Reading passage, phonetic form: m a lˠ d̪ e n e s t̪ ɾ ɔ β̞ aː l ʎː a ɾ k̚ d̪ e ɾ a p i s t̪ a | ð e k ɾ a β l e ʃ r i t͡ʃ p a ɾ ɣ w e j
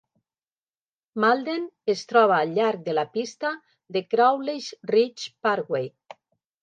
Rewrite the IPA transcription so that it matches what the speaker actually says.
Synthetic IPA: m a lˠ d̪ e n e s t̪ ɾ ɔ β̞ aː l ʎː a ɾ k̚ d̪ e l a p i s t̪ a | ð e k ɾ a w l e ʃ r i t͡ʃ p a ɾ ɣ w e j